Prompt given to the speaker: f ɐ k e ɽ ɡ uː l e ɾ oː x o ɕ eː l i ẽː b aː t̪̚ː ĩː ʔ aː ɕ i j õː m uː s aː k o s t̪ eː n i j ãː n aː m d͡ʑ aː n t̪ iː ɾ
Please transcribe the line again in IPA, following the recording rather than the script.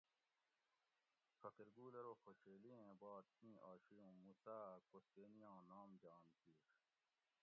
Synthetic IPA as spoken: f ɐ k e ɾ ɡ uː l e ɾ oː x o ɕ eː l i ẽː b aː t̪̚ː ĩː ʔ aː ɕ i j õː m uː s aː k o s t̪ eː n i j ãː n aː m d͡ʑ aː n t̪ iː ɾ